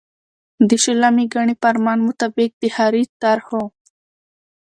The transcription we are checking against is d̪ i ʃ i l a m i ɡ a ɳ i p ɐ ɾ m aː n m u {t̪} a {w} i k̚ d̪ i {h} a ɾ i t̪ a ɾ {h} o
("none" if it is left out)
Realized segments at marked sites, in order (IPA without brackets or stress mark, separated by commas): t̪, b, h, h